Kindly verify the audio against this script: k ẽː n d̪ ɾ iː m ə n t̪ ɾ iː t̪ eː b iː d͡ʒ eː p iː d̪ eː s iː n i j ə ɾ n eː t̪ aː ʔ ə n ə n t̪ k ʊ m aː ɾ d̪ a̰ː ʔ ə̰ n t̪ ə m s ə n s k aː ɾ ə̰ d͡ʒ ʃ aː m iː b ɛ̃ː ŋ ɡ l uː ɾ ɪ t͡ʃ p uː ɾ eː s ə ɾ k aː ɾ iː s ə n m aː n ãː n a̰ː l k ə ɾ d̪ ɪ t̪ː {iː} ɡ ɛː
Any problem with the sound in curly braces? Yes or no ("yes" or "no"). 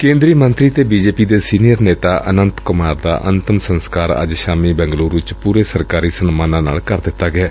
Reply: yes